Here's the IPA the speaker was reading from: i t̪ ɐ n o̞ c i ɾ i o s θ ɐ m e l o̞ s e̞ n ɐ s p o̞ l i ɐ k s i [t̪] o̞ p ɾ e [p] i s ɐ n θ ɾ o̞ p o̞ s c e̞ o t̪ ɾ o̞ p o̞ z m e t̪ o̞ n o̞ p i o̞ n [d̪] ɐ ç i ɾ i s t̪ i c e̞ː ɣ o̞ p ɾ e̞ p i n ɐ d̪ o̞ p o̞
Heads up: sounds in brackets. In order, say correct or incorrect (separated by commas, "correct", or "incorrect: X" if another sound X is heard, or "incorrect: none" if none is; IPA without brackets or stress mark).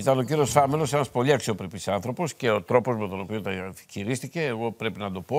incorrect: none, correct, incorrect: t̪